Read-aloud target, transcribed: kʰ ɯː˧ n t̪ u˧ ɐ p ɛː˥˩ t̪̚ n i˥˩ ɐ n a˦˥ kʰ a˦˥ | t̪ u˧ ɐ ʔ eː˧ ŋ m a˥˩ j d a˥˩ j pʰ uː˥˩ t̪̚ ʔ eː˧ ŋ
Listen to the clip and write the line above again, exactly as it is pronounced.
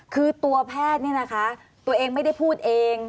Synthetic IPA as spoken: kʰ ɯː˧ t̪ u˧ ɐ pʰ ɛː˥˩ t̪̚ n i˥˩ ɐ n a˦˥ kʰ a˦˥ | t̪ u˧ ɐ ʔ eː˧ ŋ m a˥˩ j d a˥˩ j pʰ uː˥˩ t̪̚ ʔ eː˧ ŋ